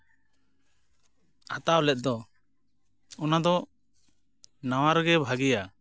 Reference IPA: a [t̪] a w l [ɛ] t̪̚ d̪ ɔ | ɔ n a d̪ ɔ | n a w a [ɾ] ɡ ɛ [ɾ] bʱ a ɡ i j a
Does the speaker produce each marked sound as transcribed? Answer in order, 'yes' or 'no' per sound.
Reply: yes, yes, yes, no

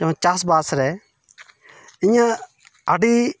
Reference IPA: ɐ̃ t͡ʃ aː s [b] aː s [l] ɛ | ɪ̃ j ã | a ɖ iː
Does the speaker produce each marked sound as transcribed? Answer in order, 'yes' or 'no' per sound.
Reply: yes, no

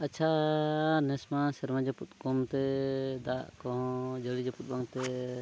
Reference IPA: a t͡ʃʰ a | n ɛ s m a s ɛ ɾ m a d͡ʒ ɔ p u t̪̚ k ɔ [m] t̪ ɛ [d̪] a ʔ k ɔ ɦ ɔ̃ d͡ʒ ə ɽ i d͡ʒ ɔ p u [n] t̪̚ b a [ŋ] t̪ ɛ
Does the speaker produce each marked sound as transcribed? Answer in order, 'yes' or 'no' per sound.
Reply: yes, yes, no, yes

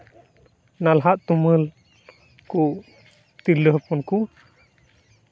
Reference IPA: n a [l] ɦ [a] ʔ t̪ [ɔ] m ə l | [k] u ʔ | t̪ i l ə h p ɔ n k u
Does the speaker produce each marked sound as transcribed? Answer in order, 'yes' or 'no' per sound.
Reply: yes, yes, no, yes

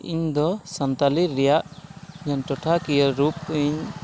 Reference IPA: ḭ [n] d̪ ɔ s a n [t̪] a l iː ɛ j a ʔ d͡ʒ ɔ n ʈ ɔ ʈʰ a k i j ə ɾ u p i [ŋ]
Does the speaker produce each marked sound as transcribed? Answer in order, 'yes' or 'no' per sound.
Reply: no, yes, no

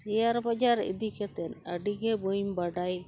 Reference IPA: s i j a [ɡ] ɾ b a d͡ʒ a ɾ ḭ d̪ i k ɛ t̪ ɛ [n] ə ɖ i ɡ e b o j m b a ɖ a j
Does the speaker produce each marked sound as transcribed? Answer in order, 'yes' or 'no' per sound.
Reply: no, yes

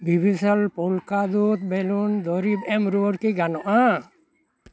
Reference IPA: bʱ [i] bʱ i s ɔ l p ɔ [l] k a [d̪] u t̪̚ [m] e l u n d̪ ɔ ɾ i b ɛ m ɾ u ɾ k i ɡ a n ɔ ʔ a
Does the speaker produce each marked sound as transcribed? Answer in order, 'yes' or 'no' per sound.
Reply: yes, yes, yes, no

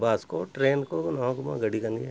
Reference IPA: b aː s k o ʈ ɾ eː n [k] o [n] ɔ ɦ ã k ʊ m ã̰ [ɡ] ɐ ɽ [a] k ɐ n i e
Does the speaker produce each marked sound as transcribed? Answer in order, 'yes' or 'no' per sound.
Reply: yes, yes, yes, no

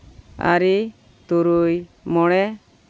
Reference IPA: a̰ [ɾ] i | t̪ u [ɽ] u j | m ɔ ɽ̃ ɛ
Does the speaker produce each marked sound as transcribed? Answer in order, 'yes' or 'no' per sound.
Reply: yes, no

